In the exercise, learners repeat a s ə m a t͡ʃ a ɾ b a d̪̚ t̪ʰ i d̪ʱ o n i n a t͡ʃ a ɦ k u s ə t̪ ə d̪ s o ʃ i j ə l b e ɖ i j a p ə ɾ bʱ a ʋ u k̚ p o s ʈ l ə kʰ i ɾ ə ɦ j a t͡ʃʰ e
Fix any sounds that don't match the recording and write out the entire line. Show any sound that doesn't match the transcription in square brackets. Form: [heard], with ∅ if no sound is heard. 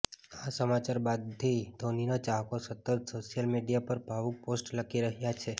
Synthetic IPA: a s ə m a t͡ʃ a ɾ b a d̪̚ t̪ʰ i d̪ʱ o n i n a t͡ʃ a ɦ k [o] s ə t̪ ə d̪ s o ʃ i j ə l [m] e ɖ i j a p ə ɾ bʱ a ʋ u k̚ p o s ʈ l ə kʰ i ɾ ə ɦ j a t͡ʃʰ e

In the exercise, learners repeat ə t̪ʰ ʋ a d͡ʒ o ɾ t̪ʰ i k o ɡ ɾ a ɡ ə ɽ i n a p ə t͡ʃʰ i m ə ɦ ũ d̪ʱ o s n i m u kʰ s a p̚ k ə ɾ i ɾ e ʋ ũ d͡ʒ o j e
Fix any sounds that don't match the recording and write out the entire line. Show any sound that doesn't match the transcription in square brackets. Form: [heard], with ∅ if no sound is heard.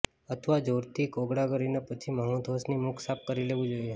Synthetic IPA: ə t̪ʰ ʋ a d͡ʒ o ɾ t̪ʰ i k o ɡ [ɽ] a ɡ ə [ɾ] i n a p ə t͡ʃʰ i m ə ɦ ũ d̪ʱ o s n i m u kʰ s a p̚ k ə ɾ i [l] e ʋ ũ d͡ʒ o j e

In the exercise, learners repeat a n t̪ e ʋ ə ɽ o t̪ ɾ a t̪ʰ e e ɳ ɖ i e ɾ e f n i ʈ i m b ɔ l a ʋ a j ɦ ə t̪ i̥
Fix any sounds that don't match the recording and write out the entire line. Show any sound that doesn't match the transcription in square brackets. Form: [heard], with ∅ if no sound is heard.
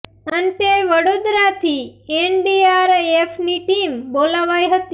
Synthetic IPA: [ə] n t̪ e ʋ ə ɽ o [d̪] ɾ a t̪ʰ [i] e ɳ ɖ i [a] ɾ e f n i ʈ i m b [o] l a ʋ a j ɦ ə t̪ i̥

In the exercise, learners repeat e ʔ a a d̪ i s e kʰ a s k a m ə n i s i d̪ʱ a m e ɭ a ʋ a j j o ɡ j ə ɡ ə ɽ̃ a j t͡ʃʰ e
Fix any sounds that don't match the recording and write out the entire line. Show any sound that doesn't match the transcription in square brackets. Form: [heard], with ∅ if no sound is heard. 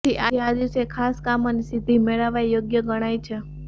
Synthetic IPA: [i] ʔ a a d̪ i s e kʰ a s k a m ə n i s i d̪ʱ [i] m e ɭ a ʋ a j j o ɡ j ə ɡ ə ɽ̃ a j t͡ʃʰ e

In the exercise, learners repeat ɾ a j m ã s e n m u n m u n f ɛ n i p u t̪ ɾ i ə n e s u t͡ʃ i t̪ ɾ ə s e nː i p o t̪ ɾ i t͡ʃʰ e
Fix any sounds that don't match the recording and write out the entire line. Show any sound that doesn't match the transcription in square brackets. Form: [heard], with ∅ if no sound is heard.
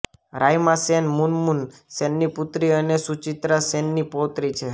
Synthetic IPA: ɾ a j m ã s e n m u n m u n [s] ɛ [nː] i p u t̪ ɾ i ə n e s u t͡ʃ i t̪ ɾ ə s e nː i p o t̪ ɾ i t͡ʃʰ e

